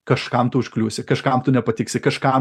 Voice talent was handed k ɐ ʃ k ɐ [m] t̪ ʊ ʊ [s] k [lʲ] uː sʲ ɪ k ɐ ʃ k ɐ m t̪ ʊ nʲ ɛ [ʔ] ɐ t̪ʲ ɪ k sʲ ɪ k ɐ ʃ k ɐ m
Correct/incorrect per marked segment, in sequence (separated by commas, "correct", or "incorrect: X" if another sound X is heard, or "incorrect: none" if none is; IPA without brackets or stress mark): correct, incorrect: ʃ, correct, incorrect: p